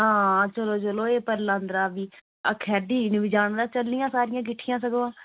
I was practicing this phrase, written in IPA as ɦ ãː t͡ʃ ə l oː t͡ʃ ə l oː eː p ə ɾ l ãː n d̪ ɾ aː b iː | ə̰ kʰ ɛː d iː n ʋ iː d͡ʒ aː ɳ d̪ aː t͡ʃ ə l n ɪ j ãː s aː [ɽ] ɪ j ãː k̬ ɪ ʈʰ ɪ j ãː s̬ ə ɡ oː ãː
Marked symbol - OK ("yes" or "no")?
no